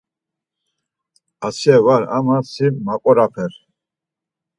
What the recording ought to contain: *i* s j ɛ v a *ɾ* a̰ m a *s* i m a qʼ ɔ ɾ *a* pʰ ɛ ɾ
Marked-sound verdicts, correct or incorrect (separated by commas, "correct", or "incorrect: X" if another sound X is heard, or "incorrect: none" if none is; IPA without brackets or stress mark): incorrect: a, correct, correct, correct